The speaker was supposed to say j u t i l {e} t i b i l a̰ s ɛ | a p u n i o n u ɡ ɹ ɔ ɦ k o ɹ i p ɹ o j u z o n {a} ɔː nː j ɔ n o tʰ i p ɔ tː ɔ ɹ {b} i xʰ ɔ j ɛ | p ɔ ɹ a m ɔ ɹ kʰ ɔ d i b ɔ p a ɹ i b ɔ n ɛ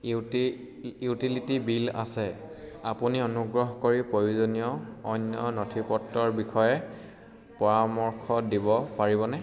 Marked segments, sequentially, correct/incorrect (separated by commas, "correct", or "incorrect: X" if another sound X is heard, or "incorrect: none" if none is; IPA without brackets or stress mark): incorrect: i, incorrect: i, correct